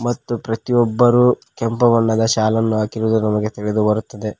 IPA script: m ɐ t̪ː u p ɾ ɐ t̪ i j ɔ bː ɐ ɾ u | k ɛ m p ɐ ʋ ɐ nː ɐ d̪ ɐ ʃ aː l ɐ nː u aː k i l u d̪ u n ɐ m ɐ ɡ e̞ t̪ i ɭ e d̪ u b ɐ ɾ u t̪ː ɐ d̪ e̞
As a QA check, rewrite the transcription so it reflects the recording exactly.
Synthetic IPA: m ɐ t̪ː u p ɾ ɐ t̪ i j ɔ bː ɐ ɾ u | k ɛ m p ɐ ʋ ɐ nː ɐ d̪ ɐ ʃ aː l ɐ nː u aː k i ɾ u d̪ u n ɐ m ɐ ɡ e̞ t̪ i ɭ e d̪ u b ɐ ɾ u t̪ː ɐ d̪ e̞